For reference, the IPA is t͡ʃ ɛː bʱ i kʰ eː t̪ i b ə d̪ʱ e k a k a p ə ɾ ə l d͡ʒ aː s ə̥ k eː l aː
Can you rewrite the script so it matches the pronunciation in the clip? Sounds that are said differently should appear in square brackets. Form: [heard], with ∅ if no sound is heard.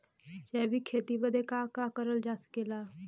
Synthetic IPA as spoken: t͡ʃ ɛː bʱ i kʰ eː t̪ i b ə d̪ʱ e k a k a [k] ə ɾ ə l d͡ʒ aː s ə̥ k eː l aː